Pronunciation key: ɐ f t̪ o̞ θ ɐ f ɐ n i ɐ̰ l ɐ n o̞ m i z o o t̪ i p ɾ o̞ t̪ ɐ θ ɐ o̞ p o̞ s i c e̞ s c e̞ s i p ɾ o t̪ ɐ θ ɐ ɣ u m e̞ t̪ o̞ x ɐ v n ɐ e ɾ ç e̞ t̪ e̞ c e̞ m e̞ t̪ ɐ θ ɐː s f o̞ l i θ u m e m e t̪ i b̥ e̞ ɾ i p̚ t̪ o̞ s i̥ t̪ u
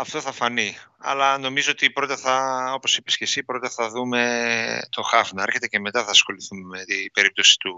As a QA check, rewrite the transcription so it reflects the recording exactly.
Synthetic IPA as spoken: ɐ f t̪ o̞ θ ɐ f ɐ n i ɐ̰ l ɐ n o̞ m i z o o t̪ i p ɾ o̞ t̪ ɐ θ ɐ o̞ p o̞ s i p e̞ s c e̞ s i p ɾ o t̪ ɐ θ ɐ ð u m e̞ t̪ o̞ x ɐ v n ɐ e ɾ ç e̞ t̪ e̞ c e̞ m e̞ t̪ ɐ θ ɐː s x o̞ l i θ u m e m e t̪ i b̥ e̞ ɾ i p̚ t̪ o̞ s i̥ t̪ u